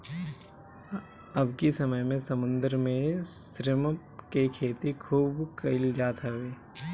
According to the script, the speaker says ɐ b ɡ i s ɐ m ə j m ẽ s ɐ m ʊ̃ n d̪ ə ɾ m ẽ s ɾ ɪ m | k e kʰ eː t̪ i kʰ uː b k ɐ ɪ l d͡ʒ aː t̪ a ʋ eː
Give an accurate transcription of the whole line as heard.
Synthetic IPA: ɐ b k i s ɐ m ə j m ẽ s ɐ m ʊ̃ n d̪ ə ɾ m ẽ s ɾ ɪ m | k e kʰ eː t̪ i kʰ uː b k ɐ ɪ l d͡ʒ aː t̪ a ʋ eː